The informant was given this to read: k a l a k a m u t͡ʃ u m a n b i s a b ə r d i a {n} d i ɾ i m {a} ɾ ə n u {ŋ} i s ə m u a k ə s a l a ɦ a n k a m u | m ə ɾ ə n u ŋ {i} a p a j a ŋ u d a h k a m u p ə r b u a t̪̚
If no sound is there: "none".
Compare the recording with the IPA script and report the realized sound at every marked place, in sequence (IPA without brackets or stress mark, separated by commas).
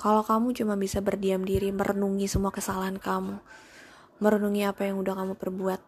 m, ə, ŋ, i